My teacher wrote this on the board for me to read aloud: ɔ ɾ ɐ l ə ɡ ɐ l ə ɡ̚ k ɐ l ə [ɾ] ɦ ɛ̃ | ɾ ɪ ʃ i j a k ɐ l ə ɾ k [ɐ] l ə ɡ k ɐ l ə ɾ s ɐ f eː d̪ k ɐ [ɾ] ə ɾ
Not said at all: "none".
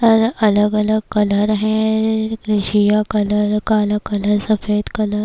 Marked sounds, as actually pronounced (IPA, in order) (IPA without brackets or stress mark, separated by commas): ɾ, a, l